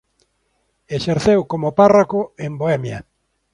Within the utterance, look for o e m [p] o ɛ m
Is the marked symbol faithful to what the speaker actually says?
no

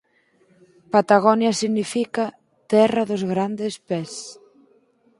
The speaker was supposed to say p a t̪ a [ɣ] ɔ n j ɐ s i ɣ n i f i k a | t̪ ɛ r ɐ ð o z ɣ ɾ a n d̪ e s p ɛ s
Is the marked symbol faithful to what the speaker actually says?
yes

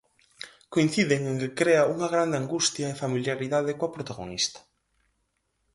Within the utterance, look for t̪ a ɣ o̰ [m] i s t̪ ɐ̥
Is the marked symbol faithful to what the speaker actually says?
no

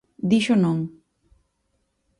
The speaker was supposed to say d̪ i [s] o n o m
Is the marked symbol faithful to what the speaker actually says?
no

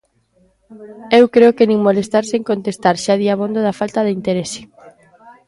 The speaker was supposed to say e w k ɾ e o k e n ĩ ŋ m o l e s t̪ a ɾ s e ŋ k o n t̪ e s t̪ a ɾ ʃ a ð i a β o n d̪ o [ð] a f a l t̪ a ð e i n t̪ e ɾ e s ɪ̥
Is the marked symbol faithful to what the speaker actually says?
yes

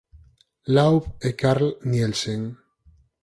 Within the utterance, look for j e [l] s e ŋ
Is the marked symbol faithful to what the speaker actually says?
yes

